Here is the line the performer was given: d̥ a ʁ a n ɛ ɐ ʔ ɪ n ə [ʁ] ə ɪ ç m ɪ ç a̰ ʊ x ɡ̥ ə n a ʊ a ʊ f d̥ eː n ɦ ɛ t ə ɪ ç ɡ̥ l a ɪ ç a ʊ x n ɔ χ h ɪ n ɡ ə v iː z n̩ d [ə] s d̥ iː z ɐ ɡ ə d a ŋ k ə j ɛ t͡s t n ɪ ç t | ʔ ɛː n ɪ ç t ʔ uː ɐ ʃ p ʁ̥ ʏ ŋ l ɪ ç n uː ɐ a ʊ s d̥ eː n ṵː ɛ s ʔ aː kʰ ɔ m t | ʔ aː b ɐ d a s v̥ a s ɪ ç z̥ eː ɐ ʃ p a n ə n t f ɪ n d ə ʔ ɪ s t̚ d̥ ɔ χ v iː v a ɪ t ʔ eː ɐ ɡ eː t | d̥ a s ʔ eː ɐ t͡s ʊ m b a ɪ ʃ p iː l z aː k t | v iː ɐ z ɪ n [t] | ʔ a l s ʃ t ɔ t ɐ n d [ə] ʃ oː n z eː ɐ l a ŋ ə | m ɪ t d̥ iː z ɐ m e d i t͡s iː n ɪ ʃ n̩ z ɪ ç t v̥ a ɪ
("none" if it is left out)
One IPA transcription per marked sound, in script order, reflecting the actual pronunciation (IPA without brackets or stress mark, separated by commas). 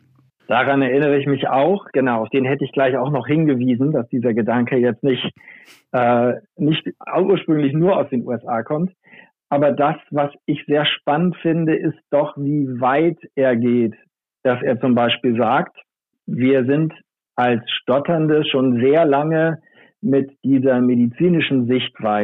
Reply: ʁ, a, t, ə